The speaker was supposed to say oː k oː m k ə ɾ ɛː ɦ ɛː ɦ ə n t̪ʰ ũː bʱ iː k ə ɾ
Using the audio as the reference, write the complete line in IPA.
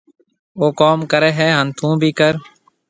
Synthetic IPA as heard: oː k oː m k ə ɾ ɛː ɦ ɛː ɦ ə n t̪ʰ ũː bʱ iː k ə ɾ